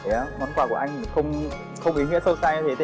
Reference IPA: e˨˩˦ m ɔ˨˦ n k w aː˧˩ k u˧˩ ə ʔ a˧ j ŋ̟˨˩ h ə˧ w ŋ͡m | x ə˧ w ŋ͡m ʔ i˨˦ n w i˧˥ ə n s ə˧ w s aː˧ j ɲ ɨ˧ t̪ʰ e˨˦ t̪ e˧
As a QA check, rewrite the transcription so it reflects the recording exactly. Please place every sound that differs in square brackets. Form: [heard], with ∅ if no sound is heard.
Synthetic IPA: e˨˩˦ m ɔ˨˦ n k w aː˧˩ k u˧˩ ə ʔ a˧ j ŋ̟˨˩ [x] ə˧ w ŋ͡m | x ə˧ w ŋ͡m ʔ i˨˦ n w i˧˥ ə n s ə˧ w s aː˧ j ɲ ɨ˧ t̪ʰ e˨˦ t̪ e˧